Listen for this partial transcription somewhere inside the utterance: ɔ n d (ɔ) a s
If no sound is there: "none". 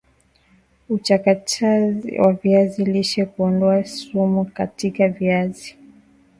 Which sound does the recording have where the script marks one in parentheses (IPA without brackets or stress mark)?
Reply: ɔ